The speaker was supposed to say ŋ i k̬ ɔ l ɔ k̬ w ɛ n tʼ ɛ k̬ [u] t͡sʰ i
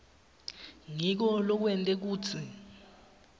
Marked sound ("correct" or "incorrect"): incorrect